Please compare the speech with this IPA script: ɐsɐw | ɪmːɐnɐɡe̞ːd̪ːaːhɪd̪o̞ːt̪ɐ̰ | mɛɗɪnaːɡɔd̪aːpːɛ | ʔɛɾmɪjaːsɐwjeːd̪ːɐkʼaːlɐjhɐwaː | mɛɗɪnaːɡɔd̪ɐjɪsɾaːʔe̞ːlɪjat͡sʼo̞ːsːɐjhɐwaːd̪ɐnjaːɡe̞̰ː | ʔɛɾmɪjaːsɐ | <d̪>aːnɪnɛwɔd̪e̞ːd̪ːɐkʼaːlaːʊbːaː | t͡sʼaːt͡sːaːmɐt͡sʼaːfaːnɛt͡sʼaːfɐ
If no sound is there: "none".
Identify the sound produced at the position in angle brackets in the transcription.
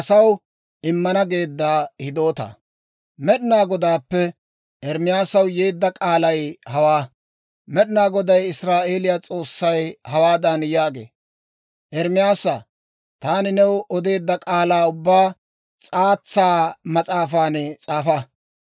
t̪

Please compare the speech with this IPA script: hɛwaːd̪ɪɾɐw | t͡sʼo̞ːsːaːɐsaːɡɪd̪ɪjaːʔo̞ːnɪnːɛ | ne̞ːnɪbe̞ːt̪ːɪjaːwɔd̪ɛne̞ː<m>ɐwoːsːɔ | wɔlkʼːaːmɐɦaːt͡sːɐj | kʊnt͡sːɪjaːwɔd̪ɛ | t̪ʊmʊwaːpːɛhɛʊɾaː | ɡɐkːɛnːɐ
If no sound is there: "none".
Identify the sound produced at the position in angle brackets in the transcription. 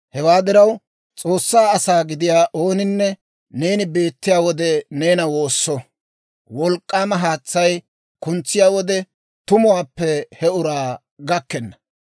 n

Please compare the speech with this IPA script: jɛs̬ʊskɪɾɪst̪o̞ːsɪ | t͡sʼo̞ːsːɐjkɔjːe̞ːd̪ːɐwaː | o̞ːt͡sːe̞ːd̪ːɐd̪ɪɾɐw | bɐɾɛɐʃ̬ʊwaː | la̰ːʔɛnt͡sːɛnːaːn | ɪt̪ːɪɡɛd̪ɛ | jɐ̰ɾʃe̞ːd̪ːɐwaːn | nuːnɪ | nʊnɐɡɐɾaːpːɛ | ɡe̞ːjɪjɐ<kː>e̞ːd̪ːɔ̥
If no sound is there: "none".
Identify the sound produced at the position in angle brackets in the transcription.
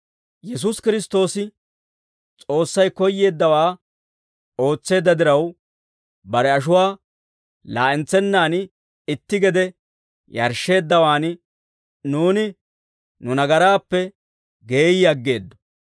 ɡː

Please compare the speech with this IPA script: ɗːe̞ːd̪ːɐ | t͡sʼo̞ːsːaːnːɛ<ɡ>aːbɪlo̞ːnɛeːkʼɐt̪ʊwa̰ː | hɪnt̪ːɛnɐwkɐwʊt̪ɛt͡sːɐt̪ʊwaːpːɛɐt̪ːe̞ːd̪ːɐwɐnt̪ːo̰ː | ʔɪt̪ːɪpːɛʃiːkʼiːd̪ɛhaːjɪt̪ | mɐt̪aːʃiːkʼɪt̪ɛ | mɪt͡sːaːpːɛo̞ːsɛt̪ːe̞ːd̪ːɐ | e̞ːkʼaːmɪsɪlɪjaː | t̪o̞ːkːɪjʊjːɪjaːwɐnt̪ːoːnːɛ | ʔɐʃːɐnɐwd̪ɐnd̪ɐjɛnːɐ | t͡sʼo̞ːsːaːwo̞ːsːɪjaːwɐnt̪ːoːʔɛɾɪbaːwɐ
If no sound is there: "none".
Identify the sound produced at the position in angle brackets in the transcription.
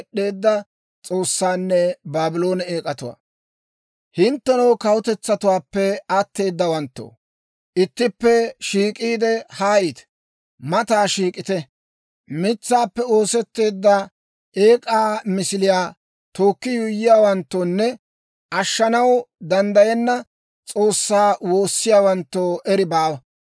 b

